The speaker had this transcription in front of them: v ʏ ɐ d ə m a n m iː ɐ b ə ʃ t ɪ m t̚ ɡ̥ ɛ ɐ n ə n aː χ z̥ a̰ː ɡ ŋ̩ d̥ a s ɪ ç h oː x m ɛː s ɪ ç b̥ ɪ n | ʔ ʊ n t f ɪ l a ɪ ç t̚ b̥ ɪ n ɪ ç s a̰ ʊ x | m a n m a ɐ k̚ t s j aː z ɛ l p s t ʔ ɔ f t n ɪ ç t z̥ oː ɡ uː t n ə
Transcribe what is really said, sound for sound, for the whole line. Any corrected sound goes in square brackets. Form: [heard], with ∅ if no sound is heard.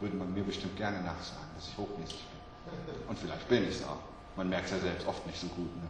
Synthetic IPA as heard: v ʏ ɐ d ə m a n m iː ɐ b ə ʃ t ɪ m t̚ ɡ̥ ɛ ɐ n ə n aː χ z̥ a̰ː ɡ ŋ̩ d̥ a s ɪ ç h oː x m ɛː s ɪ ç b̥ ɪ n | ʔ ʊ n t f ɪ l a ɪ ç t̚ b̥ ɪ n ɪ ç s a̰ ʊ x | m a n m [ɛ] ɐ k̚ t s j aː z ɛ l p s t ʔ ɔ f t n ɪ ç t z̥ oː ɡ uː t n ə